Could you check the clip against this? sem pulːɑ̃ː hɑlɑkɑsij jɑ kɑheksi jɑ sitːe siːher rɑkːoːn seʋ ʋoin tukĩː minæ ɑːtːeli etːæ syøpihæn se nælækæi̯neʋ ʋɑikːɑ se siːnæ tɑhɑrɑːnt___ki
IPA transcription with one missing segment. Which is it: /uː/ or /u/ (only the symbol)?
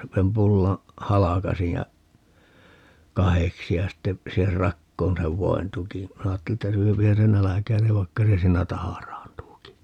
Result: uː